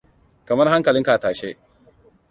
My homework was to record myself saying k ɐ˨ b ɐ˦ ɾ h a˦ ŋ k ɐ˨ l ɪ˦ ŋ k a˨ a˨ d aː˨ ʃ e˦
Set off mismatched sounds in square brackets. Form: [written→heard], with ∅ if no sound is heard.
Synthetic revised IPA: k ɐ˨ [b→m] ɐ˦ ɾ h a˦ ŋ k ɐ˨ l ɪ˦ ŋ k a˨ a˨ [d→t] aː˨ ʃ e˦